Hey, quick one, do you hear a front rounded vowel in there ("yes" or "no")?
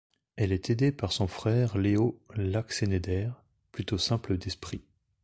yes